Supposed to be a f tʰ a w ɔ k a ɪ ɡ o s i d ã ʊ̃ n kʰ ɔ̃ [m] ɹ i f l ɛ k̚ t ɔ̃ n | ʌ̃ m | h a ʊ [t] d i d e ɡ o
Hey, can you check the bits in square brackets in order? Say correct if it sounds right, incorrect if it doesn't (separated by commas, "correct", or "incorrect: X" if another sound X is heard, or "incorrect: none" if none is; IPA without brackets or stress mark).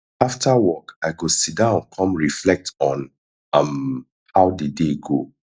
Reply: correct, incorrect: none